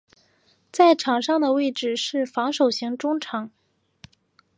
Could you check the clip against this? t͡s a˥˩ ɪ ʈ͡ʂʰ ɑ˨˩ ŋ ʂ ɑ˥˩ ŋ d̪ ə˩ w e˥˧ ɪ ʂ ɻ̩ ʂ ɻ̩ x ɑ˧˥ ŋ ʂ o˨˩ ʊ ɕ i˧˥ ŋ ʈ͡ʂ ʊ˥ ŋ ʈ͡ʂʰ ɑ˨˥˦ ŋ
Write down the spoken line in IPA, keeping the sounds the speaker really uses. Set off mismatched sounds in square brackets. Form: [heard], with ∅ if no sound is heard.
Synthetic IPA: t͡s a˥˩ ɪ ʈ͡ʂʰ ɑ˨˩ ŋ ʂ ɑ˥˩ ŋ d̪ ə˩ w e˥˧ ɪ [ʈ͡ʂ] ɻ̩ ʂ ɻ̩ [f] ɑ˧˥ ŋ ʂ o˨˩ ʊ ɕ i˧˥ ŋ ʈ͡ʂ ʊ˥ ŋ ʈ͡ʂʰ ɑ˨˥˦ ŋ

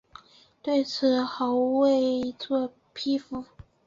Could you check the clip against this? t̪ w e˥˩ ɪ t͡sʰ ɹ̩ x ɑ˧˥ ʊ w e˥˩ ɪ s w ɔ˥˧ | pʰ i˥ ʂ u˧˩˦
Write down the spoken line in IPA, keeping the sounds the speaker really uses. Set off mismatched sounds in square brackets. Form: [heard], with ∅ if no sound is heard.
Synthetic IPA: t̪ w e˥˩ ɪ t͡sʰ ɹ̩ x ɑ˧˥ ʊ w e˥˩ ɪ [t͡s] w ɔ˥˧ | pʰ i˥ [f] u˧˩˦

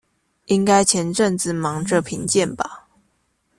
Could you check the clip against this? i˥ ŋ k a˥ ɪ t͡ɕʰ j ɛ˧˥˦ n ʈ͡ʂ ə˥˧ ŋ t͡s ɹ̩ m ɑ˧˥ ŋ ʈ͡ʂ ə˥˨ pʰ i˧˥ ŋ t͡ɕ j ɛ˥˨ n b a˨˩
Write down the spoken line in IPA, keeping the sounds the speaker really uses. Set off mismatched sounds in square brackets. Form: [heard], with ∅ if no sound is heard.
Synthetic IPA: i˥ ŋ k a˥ ɪ t͡ɕʰ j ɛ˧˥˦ n ʈ͡ʂ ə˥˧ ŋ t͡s ɹ̩ m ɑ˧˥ ŋ ʈ͡ʂ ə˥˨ pʰ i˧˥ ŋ t͡ɕ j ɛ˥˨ n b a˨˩

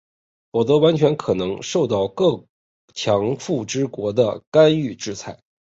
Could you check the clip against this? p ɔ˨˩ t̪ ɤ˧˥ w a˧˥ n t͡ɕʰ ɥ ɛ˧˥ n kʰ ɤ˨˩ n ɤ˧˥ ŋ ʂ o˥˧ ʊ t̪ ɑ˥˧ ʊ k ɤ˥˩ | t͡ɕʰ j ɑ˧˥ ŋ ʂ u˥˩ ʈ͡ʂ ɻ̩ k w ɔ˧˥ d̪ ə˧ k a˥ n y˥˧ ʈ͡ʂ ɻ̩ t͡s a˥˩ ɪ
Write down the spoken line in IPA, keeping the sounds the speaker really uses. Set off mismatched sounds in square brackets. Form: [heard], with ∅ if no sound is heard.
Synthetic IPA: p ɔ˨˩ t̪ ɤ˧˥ w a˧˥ n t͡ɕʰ ɥ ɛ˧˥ n kʰ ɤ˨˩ n ɤ˧˥ ŋ ʂ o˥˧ ʊ t̪ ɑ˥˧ ʊ k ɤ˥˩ | t͡ɕʰ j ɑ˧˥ ŋ [f] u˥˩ ʈ͡ʂ ɻ̩ k w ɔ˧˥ d̪ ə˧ k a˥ n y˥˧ ʈ͡ʂ ɻ̩ [t͡sʰ] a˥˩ ɪ

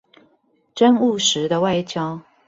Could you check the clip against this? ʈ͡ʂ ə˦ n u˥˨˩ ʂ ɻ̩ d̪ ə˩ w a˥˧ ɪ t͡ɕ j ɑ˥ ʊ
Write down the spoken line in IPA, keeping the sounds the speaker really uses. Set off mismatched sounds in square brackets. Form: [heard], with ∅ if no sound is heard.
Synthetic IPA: ʈ͡ʂ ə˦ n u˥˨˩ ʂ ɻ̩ d̪ [ə˧] w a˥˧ ɪ t͡ɕ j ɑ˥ ʊ

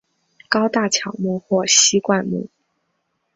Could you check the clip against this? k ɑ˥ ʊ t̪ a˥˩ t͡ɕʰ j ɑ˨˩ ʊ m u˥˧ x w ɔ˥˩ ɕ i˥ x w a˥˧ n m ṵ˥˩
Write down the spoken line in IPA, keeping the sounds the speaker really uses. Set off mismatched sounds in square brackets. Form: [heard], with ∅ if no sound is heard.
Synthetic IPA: k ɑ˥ ʊ t̪ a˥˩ t͡ɕʰ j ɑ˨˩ ʊ m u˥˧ x w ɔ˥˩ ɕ i˥ [k] w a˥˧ n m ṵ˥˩

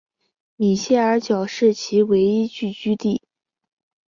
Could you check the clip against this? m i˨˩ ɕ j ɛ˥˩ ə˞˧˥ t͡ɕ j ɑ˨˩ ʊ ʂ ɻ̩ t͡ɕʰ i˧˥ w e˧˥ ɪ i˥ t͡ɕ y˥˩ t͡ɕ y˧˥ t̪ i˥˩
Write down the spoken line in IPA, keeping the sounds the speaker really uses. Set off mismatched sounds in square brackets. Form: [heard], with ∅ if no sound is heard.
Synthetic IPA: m i˨˩ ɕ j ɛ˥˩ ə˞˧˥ t͡ɕ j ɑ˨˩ ʊ ʂ ɻ̩ t͡ɕʰ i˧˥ w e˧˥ ɪ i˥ t͡ɕ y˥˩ t͡ɕ [y˥] t̪ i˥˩

